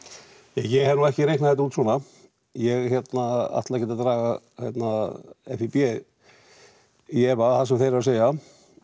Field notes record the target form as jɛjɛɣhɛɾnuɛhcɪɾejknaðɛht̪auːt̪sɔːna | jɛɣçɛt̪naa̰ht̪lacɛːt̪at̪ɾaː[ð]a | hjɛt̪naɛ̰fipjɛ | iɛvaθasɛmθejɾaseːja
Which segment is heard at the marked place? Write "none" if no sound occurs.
ɣ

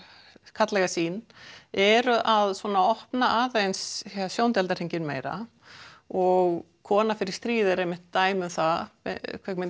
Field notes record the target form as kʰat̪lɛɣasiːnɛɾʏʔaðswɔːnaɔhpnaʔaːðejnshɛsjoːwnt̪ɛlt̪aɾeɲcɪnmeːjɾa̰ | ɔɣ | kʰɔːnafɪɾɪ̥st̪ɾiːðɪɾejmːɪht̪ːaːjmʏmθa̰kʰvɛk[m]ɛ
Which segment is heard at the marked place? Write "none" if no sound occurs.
m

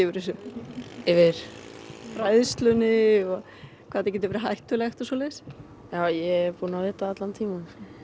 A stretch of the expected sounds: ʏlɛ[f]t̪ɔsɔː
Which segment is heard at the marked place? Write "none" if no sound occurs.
x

